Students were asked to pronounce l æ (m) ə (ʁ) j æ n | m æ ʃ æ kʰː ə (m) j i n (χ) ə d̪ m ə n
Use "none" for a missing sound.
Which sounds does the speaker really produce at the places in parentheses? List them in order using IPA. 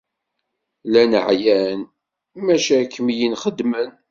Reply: n, ʕ, m, χ

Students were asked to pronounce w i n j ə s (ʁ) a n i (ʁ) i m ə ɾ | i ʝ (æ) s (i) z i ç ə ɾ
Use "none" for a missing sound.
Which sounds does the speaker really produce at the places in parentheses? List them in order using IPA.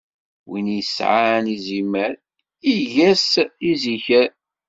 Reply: ʕ, z, æ, i

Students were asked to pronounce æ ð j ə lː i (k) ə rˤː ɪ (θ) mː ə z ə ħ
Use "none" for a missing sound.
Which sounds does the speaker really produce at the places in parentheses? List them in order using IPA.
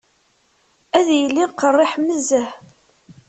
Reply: q, ħ

